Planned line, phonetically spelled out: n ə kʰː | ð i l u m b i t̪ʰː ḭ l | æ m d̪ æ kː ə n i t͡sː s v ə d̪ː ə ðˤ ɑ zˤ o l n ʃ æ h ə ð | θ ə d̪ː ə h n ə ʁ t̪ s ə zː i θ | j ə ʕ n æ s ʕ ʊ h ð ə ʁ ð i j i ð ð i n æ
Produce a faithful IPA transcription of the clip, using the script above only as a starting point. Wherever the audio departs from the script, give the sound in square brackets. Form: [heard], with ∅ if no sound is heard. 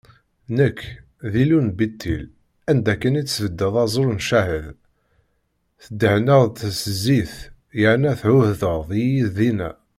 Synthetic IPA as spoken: n ə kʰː | ð i l u [n] b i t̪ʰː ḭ l | æ [n] d̪ æ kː ə n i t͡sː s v ə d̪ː ə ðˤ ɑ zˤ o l n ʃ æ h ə ð | θ ə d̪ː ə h n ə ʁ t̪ s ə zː i θ | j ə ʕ n æ [θ] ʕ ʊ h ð ə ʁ ð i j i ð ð i n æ

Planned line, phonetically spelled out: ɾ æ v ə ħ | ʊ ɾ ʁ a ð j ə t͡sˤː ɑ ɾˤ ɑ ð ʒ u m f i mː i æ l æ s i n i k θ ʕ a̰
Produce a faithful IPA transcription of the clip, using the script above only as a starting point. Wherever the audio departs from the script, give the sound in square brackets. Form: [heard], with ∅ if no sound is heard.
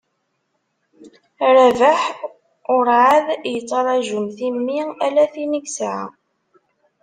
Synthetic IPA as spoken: ɾ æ v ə ħ | ʊ ɾ [ʕ] a ð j ə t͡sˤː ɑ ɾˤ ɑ [∅] ʒ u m [θ] i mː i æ l æ [θ] i n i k [s] ʕ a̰

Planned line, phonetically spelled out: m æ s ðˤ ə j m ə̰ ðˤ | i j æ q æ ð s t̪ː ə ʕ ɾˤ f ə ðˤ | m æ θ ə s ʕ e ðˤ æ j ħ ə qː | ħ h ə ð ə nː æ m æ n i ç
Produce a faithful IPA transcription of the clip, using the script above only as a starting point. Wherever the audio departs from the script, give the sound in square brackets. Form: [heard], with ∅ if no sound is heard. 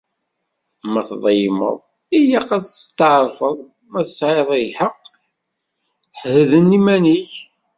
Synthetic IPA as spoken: m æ [θ] ðˤ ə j m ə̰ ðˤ | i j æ q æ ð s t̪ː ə ʕ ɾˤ f ə ðˤ | m æ θ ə s ʕ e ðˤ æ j ħ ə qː | ħ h ə ð ə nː [i] m æ n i ç

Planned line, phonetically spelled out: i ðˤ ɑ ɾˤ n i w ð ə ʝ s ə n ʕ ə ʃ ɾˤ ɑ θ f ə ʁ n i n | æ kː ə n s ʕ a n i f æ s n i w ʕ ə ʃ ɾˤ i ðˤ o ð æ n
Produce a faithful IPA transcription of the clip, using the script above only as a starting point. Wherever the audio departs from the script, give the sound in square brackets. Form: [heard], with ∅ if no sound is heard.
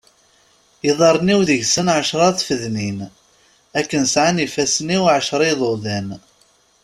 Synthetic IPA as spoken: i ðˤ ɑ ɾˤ n i w ð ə ʝ s ə n ʕ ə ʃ ɾˤ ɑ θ f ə [ð] n i n | æ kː ə n s ʕ a n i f æ s n i w ʕ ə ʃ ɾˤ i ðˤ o ð æ n

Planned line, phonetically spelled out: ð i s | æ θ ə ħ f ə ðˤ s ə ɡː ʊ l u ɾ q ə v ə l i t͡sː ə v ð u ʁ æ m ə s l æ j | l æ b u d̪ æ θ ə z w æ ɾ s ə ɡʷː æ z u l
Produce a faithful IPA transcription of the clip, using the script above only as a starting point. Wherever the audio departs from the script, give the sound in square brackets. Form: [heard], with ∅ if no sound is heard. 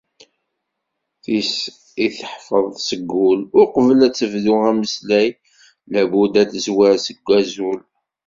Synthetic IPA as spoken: [θ] i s | [i] θ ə ħ f ə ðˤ s ə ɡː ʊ l [ʊ] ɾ q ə v ə l [æ] t͡sː ə v ð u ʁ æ m ə s l æ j | l æ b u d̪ æ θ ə z w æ ɾ s ə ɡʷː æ z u l

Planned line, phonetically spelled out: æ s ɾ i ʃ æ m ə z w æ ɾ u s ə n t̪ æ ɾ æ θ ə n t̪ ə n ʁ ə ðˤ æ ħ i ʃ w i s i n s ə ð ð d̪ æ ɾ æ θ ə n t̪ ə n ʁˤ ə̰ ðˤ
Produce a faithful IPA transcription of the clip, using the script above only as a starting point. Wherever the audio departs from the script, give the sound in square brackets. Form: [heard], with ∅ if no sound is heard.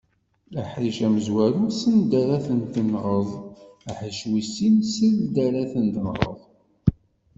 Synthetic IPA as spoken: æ [ħ] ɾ i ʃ æ m ə z w æ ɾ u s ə n [d̪] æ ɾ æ θ ə n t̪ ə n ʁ ə ðˤ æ ħ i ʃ w i s i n s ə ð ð d̪ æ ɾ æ θ ə n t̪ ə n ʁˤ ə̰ ðˤ

